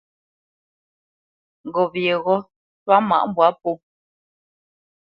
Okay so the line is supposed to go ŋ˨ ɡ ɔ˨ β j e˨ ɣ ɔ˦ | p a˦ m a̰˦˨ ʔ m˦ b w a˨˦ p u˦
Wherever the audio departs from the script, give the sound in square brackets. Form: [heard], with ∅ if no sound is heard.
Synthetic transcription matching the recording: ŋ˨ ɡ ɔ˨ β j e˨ ɣ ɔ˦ | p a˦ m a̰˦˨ ʔ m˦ b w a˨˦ p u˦

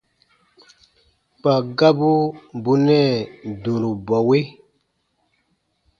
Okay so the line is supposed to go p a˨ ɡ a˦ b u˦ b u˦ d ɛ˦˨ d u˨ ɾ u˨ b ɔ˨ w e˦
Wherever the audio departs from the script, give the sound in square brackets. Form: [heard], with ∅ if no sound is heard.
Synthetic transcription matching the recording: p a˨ ɡ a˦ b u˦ b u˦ [n] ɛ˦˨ d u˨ ɾ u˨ b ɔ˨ w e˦

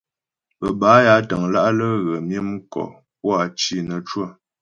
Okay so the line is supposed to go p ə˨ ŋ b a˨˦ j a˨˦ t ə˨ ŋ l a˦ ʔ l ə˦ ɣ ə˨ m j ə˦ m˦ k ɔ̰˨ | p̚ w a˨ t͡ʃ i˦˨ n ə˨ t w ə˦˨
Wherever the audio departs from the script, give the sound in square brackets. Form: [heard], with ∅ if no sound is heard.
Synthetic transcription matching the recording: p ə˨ [∅] b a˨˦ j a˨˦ t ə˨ ŋ l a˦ ʔ l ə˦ ɣ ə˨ m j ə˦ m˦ k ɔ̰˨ | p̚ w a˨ t͡ʃ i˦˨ n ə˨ [t͡ʃ] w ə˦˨

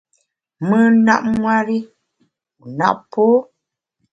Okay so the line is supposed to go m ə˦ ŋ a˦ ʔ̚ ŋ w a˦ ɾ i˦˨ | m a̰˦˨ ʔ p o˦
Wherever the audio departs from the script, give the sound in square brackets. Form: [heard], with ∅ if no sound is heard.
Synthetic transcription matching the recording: m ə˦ [n] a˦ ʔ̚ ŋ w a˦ ɾ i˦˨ | [n] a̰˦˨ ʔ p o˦

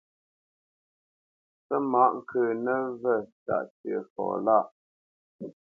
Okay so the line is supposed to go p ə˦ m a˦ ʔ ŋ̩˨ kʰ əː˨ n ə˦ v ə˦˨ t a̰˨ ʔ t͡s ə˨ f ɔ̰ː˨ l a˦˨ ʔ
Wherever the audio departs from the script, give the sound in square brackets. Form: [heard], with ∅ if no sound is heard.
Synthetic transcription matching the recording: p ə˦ m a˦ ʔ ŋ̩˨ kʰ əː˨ n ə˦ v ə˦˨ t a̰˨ ʔ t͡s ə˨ f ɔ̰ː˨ l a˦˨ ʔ

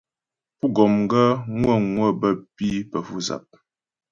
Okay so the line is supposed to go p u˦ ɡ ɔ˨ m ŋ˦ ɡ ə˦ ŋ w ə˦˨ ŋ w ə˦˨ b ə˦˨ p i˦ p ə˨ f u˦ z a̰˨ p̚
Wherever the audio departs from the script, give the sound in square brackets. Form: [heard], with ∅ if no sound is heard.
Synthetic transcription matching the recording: p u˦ ɡ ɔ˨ m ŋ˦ ɡ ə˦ ŋ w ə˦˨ ŋ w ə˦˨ b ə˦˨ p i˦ p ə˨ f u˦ z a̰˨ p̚

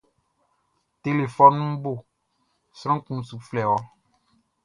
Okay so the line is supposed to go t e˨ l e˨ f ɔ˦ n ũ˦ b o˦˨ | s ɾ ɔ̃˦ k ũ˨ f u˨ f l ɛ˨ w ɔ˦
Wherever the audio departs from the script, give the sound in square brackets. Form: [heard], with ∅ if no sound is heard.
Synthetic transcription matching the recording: t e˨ l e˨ f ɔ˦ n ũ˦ b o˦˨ | s ɾ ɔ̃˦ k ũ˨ [s] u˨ f l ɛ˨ w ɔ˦

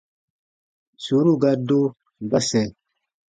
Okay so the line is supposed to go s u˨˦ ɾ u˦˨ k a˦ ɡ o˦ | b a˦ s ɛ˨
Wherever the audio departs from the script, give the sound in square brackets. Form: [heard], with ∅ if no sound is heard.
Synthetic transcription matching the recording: s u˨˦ ɾ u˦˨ [ɡ] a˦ [d] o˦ | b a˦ s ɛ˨

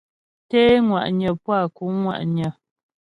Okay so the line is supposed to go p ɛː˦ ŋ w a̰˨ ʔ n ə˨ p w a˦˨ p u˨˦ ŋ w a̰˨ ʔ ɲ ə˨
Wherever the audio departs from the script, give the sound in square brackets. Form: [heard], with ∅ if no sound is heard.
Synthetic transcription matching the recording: [t] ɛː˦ ŋ w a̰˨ ʔ [ɲ] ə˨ p w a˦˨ [k] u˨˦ ŋ w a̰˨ ʔ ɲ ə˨

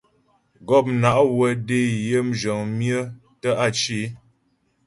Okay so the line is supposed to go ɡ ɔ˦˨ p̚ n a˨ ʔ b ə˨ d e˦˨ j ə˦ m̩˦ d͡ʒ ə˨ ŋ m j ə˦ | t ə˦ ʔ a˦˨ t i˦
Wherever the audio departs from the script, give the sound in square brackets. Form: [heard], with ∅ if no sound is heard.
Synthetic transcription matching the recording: ɡ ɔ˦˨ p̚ n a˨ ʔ [w] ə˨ d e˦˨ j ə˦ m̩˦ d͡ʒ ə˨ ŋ m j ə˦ | t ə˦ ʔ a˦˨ [t͡ʃ] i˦

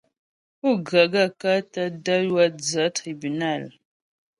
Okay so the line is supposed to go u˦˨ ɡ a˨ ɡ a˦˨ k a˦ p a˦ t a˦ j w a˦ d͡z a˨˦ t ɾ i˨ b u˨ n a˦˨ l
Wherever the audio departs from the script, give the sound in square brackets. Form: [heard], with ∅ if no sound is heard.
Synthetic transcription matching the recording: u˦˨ ɡ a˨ ɡ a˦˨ k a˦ [t] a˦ [d] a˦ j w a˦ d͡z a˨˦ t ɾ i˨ b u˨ n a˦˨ l

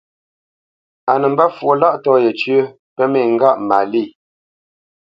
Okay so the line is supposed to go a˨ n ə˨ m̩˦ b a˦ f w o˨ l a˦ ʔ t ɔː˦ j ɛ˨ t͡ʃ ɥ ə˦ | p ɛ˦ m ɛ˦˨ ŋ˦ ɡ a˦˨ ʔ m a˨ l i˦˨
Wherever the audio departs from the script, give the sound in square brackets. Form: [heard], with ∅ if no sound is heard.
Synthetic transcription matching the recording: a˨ n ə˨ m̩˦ b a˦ f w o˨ l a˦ ʔ t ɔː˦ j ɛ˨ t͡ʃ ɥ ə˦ | p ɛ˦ m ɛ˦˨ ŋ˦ ɡ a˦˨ ʔ m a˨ l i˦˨

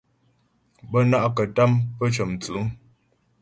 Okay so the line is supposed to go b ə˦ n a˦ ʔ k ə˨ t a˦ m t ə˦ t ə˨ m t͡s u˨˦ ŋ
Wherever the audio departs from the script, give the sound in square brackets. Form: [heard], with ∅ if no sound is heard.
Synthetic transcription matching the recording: b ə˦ n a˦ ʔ k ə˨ t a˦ m [p] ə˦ [t͡ʃ] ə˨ m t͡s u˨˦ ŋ

